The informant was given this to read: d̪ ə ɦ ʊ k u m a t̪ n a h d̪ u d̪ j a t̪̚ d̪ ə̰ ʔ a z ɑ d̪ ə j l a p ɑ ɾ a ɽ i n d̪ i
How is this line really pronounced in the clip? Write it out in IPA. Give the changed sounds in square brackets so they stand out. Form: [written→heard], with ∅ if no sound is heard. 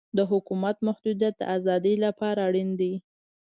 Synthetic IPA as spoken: d̪ ə ɦ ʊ k u m a t̪ [n→m] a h d̪ u d̪ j a t̪̚ d̪ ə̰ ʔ a z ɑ d̪ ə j l a p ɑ ɾ a ɽ i n d̪ i

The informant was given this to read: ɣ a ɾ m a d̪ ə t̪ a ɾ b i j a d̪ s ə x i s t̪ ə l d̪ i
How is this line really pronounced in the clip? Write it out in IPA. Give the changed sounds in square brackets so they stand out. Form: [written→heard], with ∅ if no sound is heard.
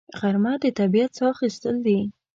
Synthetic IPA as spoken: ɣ a ɾ m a d̪ ə t̪ a [ɾ→∅] b i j a [d̪→t̪] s [ə→ɑ] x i s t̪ ə l d̪ i

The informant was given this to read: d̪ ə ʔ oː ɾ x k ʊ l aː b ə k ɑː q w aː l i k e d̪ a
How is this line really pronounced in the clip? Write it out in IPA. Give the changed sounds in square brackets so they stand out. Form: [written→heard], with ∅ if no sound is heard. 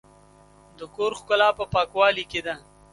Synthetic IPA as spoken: d̪ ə [ʔ→k] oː ɾ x k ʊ l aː [b→p] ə [k→p] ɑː [q→k] w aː l i k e d̪ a

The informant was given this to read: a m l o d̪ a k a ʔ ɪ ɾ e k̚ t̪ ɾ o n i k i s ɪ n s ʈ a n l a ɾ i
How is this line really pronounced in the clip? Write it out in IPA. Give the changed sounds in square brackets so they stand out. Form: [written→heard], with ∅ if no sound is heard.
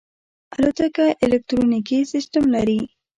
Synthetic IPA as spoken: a [m→∅] l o [d̪→t̪] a k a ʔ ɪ [ɾ→l] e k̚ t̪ ɾ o n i k i s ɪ [n→∅] s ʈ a [n→m] l a ɾ i

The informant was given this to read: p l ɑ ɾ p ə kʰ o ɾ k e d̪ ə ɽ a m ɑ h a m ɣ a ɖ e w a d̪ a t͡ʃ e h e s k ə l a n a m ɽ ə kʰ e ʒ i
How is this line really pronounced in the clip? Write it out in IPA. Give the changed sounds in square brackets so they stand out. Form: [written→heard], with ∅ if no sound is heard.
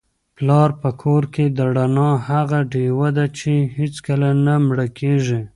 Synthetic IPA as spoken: p l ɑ ɾ p ə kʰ o ɾ k e d̪ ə ɽ a [m→n] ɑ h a [m→∅] ɣ a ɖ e w a d̪ a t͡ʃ e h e [s→t͡s] k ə l a n a m ɽ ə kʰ e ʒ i

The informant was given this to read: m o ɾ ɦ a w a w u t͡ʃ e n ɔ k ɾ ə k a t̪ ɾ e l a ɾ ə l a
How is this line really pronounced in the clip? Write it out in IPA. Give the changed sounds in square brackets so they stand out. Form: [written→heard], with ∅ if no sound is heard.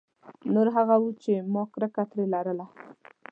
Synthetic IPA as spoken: [m→n] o ɾ ɦ a [w→ɣ] a w u t͡ʃ e [n→m] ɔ k ɾ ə k a t̪ ɾ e l a ɾ ə l a

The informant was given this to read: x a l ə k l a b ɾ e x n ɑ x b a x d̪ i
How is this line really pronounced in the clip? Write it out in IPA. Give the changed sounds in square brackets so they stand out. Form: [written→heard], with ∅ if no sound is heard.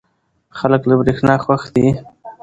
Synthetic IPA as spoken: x a l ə k l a b ɾ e x n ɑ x [b→w] a x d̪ i

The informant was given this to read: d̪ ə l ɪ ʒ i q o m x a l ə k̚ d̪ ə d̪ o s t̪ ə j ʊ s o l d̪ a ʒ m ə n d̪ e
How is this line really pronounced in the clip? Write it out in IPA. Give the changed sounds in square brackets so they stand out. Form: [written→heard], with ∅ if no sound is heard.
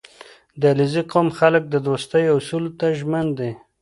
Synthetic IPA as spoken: d̪ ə l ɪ [ʒ→z] i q o m x a l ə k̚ d̪ ə d̪ o s t̪ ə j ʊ s [o→u] l [d̪→t̪] a ʒ m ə n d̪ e

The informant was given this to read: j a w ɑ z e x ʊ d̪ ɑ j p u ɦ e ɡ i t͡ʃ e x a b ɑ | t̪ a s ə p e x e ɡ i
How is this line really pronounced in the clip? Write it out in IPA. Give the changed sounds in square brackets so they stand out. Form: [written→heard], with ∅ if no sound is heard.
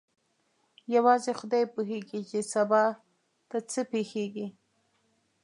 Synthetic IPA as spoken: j a w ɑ z e x ʊ d̪ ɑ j p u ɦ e ɡ i t͡ʃ e [x→s] a b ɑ | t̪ a [s→t͡s] ə p e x e ɡ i

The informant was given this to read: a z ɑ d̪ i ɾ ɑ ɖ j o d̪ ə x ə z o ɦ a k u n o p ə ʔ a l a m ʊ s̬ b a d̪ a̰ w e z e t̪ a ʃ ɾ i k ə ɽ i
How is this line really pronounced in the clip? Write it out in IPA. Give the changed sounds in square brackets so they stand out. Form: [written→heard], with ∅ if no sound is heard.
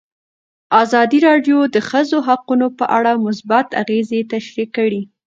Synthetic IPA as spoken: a z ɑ d̪ i ɾ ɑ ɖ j o d̪ ə x ə z o ɦ a [k→q] u n o p ə ʔ a [l→ɽ] a m ʊ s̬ b a [d̪→t̪] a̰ [w→ɣ] e z e t̪ a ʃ ɾ i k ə ɽ i

